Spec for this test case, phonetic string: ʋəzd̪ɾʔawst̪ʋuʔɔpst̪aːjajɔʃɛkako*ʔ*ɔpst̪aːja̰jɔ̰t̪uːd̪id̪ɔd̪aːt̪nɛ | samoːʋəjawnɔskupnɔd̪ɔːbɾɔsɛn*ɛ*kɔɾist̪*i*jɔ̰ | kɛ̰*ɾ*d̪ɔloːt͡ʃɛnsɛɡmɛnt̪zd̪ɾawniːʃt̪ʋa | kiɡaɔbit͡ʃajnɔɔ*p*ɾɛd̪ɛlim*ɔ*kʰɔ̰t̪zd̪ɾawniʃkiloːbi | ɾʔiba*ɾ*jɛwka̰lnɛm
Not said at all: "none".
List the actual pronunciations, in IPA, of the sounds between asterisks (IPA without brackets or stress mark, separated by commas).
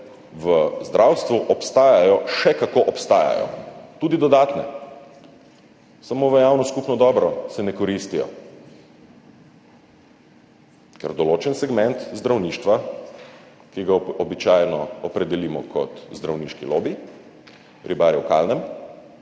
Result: ʔ, ɛ, i, ɾ, p, ɔ, ɾ